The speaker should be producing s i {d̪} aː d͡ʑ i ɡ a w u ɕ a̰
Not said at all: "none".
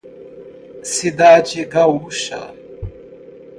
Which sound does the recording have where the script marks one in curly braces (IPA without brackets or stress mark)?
d̪